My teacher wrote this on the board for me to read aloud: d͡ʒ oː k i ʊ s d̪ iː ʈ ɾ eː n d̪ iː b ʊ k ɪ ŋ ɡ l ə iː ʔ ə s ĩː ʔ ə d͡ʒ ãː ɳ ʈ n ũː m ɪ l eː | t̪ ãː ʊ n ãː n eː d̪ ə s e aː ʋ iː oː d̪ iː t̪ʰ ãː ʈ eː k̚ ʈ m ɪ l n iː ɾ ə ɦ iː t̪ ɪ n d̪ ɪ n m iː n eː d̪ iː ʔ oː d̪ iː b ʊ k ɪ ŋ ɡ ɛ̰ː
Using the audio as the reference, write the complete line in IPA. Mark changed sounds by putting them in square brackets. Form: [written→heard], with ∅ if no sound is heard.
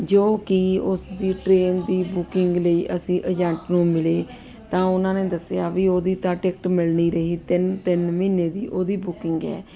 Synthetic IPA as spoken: d͡ʒ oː k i ʊ s d̪ iː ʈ ɾ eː n d̪ iː b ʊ k ɪ ŋ ɡ l ə iː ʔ ə s ĩː ʔ ə d͡ʒ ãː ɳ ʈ n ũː m ɪ l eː | t̪ ãː ʊ n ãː n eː d̪ ə s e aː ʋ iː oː d̪ iː [t̪ʰ→t̪] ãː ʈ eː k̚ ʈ m ɪ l n iː ɾ ə ɦ iː t̪ ɪ n [d̪→t̪] ɪ n m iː n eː d̪ iː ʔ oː d̪ iː b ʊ k ɪ ŋ ɡ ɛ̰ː